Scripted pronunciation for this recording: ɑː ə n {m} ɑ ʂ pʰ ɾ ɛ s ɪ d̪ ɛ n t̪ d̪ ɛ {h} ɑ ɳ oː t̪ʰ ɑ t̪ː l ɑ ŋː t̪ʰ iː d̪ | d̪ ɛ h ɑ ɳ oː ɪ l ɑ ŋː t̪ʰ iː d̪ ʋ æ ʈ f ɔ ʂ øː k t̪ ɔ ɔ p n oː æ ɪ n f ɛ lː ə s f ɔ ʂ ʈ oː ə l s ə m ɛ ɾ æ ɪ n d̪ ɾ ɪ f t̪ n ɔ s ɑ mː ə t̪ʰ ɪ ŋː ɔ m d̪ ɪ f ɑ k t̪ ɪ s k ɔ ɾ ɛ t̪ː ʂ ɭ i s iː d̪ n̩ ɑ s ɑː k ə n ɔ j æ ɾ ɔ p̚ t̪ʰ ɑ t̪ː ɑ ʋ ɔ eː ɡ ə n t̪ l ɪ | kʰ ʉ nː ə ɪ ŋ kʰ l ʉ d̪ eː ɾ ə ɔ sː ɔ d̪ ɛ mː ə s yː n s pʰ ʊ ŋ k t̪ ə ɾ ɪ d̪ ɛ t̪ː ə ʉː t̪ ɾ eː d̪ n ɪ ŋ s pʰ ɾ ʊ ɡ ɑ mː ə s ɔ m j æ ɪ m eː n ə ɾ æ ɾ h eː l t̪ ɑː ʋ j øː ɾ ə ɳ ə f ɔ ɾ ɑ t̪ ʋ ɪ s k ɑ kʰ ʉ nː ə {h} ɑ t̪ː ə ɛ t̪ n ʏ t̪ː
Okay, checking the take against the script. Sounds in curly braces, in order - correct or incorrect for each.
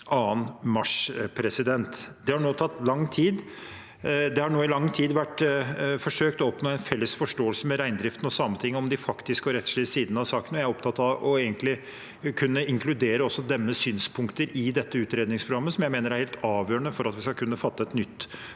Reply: correct, correct, incorrect

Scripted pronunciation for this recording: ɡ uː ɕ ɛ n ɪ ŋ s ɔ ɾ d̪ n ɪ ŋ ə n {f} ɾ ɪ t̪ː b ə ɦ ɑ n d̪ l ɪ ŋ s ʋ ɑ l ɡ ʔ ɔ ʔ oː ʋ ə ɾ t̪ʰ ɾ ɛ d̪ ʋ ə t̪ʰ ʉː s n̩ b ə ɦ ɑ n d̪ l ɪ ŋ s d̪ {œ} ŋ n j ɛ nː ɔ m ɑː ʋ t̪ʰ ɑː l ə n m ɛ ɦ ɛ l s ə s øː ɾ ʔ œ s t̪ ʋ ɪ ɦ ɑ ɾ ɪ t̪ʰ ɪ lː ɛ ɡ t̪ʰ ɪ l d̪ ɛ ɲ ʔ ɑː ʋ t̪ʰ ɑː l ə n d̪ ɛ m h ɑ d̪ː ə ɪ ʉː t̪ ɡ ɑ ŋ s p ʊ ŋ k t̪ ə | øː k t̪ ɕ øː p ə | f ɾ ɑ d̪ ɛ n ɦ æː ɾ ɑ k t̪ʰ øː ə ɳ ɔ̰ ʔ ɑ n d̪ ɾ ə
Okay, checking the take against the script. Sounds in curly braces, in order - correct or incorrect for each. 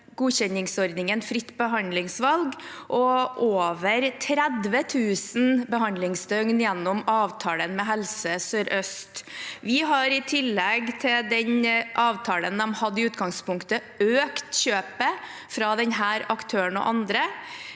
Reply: correct, correct

